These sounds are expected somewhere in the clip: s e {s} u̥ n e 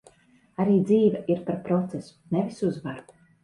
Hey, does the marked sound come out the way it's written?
yes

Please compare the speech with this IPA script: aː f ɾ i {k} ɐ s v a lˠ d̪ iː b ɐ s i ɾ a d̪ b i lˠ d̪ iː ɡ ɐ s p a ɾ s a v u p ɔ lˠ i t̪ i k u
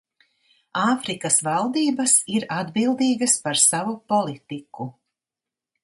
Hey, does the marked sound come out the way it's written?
yes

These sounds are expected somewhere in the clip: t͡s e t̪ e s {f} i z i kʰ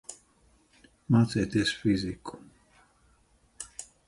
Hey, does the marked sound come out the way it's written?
yes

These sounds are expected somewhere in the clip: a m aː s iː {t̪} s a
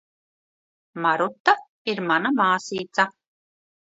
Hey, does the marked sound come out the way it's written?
yes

